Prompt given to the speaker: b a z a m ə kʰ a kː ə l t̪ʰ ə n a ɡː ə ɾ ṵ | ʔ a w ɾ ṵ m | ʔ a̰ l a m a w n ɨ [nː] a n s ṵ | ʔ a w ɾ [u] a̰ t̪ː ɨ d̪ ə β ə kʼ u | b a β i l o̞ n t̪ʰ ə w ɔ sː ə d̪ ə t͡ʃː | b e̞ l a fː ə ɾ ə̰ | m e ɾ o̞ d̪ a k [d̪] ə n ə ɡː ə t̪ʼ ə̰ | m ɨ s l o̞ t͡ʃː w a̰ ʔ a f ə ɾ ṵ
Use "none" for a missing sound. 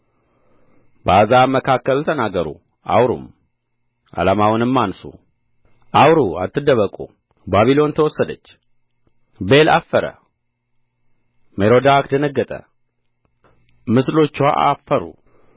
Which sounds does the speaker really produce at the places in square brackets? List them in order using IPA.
mː, u, d̪

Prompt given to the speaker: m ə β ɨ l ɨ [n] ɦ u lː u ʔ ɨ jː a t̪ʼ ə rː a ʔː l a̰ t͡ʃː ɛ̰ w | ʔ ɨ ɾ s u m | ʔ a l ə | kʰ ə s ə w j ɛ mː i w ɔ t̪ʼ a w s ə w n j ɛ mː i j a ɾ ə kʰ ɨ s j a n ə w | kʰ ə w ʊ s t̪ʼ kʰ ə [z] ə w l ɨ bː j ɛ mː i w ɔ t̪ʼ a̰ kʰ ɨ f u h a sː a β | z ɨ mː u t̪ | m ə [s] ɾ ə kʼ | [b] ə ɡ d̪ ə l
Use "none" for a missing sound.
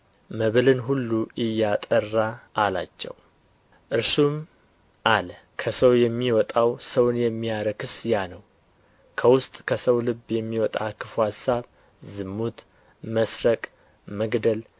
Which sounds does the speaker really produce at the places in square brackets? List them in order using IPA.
n, s, s, m

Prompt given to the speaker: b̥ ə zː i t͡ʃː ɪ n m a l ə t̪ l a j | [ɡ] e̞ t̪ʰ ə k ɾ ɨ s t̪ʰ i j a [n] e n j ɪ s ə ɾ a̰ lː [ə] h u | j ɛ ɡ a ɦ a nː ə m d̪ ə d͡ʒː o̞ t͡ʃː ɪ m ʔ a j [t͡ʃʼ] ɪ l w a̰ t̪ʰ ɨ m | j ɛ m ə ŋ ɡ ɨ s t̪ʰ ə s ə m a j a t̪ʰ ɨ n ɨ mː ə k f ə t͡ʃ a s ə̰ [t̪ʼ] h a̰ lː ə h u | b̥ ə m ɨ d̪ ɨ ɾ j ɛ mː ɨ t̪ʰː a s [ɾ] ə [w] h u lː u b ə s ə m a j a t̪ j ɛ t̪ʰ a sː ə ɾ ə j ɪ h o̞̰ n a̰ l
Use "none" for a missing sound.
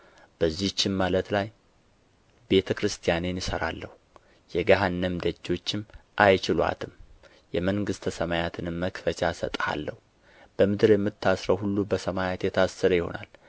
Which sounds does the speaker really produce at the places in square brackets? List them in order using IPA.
b, n, ə, t͡ʃ, t̪ʼ, ɾ, w

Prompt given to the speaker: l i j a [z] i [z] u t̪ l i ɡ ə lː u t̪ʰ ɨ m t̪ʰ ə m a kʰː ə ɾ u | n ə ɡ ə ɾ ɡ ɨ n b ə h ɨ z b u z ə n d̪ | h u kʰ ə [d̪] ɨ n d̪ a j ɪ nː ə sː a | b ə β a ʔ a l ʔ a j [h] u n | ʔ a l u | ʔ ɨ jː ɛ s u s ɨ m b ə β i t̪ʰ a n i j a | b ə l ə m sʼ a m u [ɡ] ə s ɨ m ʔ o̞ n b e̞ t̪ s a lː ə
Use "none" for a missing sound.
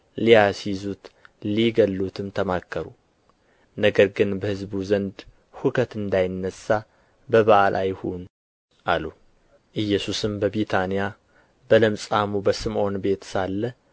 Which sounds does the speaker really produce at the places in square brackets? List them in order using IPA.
s, z, t̪, h, b

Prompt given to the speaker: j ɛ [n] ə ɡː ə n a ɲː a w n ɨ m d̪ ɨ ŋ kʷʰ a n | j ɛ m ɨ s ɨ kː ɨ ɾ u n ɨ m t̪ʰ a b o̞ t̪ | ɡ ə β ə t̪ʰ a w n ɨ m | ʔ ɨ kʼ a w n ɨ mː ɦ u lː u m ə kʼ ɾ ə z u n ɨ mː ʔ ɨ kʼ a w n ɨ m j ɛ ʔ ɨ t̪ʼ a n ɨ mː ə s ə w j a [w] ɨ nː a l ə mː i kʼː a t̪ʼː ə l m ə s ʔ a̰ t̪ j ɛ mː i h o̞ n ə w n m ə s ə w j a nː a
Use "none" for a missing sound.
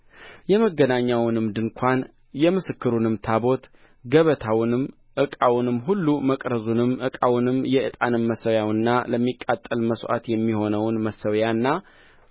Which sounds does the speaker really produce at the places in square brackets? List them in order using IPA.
m, w

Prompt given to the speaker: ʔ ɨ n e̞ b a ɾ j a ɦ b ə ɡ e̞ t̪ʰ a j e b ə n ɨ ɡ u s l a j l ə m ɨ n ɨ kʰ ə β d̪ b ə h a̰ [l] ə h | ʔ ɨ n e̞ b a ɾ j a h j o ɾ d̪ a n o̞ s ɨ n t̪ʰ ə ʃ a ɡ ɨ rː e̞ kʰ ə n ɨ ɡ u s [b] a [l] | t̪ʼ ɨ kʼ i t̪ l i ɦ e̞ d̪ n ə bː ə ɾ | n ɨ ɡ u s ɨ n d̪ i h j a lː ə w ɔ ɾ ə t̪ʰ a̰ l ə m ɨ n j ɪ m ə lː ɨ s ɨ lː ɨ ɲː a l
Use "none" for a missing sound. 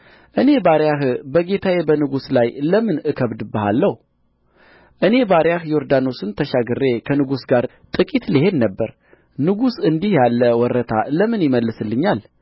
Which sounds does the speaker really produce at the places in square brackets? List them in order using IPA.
lː, ɡ, ɾ

